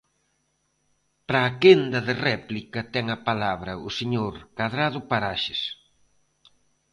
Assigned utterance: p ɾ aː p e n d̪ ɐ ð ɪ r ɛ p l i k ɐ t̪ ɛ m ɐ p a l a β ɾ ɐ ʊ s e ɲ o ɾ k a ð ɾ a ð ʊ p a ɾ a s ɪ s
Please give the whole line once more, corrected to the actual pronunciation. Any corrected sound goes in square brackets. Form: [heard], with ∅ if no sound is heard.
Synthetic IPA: p ɾ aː [k] e n d̪ ɐ ð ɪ r ɛ p l i k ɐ t̪ ɛ [ŋ] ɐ p a l a β ɾ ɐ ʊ s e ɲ o ɾ k a ð ɾ a ð ʊ p a ɾ a [ʃ] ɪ s